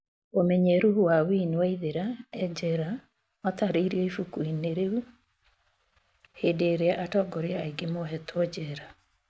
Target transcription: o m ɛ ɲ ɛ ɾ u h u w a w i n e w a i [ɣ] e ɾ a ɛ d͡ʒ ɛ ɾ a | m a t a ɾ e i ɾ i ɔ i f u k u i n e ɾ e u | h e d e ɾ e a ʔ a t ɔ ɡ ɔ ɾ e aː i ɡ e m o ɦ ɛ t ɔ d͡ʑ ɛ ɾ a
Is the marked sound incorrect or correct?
incorrect: ð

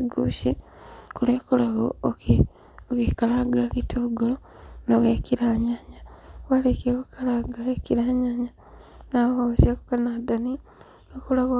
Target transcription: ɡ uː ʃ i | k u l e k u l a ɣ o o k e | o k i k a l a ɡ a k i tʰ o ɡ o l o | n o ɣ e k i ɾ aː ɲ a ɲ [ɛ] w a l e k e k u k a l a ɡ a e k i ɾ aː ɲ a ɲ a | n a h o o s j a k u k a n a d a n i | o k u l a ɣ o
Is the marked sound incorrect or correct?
incorrect: a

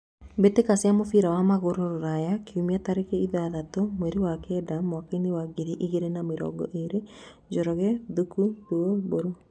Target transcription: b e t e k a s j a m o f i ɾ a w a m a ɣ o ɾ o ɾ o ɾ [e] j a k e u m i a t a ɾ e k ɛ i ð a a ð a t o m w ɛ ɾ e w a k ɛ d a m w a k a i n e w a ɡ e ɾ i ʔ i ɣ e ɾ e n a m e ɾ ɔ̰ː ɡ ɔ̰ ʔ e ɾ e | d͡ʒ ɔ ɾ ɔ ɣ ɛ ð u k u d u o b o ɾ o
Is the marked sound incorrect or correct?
incorrect: a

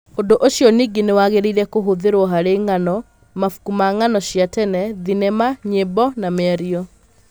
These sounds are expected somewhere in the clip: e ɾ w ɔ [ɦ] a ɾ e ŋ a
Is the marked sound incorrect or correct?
correct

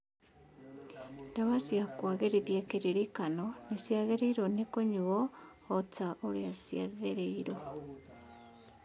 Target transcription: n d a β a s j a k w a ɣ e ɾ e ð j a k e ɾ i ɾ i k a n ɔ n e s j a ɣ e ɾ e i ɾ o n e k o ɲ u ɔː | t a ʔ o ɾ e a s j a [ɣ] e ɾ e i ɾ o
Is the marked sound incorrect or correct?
incorrect: ð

